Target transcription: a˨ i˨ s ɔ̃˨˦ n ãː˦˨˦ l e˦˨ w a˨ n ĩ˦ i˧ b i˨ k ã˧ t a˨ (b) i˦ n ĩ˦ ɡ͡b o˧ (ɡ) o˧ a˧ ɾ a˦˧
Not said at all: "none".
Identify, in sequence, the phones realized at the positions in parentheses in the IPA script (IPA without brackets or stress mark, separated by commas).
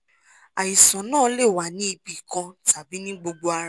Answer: b, ɡ͡b